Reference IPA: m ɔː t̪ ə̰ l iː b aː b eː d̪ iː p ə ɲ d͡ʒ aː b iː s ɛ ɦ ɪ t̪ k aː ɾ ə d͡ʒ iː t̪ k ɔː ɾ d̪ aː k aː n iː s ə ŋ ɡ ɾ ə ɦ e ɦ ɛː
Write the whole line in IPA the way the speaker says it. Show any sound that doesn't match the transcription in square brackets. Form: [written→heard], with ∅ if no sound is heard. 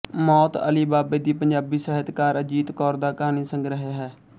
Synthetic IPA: m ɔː t̪ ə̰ l iː b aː b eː d̪ iː p ə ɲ d͡ʒ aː b iː s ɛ ɦ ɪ t̪ k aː ɾ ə d͡ʒ iː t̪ k ɔː ɾ d̪ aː k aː n iː s ə ŋ ɡ ɾ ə ɦ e ɦ ɛː